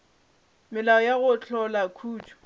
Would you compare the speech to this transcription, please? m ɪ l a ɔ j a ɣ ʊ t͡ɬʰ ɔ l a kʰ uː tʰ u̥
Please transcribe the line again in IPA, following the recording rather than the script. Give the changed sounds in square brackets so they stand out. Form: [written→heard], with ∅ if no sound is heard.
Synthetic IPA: m ɪ l a ɔ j a ɣ ʊ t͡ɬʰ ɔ l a kʰ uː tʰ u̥